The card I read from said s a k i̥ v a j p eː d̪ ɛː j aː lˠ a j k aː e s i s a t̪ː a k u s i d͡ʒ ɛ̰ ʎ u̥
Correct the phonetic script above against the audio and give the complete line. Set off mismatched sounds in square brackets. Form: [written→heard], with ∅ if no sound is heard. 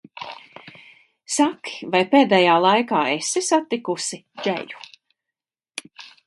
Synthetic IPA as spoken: s a k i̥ v a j p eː d̪ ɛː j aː lˠ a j k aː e s i s a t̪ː [a→i] k u s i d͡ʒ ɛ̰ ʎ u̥